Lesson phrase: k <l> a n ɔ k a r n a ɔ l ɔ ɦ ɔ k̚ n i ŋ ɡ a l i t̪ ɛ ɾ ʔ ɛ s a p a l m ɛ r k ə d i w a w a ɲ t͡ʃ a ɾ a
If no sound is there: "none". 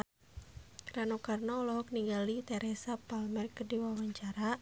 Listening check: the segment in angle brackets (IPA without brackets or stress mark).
ɾ